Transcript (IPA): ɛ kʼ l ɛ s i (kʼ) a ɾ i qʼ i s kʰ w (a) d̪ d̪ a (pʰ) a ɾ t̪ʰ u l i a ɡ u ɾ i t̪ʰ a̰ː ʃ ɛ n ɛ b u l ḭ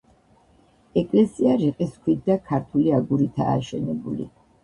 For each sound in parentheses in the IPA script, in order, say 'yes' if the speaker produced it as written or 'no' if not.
no, no, no

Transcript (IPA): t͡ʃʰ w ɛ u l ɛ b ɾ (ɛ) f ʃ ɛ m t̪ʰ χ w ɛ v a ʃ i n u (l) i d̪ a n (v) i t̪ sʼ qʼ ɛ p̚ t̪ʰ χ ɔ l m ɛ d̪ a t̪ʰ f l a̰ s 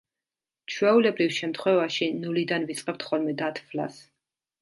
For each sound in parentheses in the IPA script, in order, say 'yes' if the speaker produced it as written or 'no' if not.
no, yes, yes

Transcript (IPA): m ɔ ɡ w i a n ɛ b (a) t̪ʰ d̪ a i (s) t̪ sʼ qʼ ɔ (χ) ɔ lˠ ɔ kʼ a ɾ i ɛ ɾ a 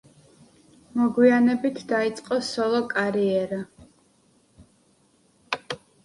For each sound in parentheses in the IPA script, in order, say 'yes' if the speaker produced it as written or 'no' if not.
no, no, no

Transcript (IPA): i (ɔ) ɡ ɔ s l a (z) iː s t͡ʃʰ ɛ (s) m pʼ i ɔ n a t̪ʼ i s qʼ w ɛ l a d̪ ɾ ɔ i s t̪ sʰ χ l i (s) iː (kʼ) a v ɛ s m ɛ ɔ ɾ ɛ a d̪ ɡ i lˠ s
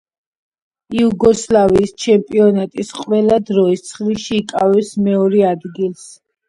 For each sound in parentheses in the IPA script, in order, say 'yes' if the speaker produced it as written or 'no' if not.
no, no, no, no, yes

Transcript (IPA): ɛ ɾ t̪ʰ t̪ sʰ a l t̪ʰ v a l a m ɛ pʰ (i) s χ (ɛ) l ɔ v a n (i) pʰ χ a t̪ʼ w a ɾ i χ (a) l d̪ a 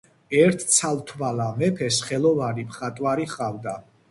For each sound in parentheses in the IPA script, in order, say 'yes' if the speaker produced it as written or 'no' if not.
no, yes, yes, yes

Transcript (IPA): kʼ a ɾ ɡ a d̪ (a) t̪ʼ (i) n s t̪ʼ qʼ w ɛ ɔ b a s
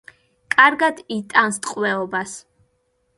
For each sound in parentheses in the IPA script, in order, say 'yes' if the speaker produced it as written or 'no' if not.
no, no

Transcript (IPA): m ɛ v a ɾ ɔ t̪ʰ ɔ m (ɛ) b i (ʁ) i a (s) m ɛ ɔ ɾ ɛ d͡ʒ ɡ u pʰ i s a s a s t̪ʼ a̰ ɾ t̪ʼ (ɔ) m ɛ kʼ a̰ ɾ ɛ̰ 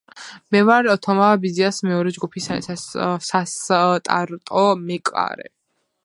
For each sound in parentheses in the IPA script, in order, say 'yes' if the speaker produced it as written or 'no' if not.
no, no, yes, yes

